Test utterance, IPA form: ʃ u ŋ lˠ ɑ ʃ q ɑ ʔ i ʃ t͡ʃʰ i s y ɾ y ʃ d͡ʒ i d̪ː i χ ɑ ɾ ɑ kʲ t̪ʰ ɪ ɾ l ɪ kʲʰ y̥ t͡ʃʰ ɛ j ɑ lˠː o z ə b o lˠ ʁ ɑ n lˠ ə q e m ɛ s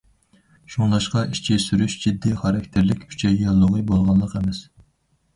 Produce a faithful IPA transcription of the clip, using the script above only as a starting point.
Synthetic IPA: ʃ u ŋ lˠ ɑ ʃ q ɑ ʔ i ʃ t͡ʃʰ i s y ɾ y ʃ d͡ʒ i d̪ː i χ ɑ ɾ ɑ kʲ t̪ʰ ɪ ɾ l ɪ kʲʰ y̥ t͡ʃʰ ɛ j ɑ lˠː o ʁ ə b o lˠ ʁ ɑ n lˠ ə q e m ɛ s